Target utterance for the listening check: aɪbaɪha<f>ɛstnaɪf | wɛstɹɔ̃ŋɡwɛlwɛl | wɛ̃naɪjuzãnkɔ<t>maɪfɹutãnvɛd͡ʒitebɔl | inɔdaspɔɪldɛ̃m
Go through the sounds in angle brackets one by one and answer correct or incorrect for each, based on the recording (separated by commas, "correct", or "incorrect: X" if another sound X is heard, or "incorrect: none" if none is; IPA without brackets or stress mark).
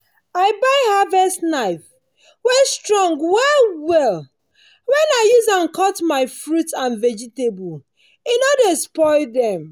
incorrect: v, correct